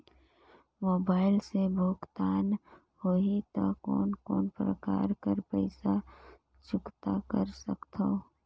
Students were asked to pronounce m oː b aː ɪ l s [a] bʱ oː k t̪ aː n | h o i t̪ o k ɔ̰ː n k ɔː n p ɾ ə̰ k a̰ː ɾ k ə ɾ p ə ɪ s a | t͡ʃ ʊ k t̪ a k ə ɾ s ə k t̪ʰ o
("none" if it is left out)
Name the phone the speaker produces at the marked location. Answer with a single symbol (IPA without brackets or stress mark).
e